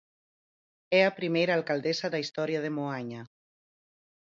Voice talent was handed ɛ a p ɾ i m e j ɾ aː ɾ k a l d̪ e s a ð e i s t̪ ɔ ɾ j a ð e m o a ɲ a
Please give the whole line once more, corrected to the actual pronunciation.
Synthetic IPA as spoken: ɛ a p ɾ i m e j ɾ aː l k a l d̪ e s a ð a i s t̪ ɔ ɾ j a ð e m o a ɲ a